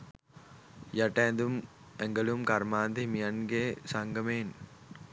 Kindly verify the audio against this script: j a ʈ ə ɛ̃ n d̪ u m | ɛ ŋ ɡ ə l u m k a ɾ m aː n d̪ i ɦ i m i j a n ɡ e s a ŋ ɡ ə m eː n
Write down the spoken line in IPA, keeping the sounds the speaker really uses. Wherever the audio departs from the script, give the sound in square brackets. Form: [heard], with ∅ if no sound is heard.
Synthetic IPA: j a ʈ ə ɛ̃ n d̪ u m | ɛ ŋ ɡ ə l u m k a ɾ m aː n d̪ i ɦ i m i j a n ɡ e s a ŋ ɡ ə m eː n